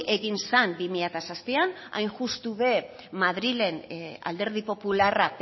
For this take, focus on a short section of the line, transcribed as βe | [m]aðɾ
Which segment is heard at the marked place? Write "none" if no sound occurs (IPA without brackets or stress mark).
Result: m